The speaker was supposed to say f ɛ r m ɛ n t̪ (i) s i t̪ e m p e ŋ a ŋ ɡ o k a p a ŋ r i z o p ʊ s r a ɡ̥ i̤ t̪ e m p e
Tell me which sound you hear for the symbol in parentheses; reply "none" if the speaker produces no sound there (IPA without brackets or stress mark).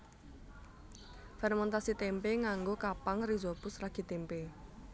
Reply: a